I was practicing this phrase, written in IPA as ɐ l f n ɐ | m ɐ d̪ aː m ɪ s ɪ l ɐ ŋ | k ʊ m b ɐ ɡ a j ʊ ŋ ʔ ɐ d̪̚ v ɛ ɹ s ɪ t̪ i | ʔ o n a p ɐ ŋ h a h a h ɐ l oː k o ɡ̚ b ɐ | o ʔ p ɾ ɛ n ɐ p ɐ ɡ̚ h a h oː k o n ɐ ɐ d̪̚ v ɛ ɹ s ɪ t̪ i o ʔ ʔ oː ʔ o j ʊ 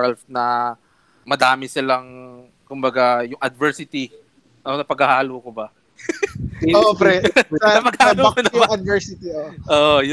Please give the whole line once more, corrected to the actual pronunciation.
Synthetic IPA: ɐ l f n ɐ | m ɐ d̪ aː m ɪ s ɪ l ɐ ŋ | k ʊ m b ɐ ɡ a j ʊ ŋ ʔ ɐ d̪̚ v ɛ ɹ s ɪ t̪ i | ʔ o n ɐ p ɐ ɡ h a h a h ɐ l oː k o b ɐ | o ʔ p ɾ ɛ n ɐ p ɐ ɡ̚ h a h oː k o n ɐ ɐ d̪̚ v ɛ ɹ s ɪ t̪ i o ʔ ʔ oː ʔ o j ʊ